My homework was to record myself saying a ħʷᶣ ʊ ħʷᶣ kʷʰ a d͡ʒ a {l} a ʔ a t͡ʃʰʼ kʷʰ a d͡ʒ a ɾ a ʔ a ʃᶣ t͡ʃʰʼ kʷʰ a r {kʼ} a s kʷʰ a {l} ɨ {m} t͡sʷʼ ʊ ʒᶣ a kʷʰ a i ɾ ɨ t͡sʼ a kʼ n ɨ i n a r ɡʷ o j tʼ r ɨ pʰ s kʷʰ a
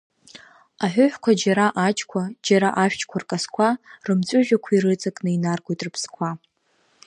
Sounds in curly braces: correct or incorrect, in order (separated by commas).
incorrect, correct, incorrect, correct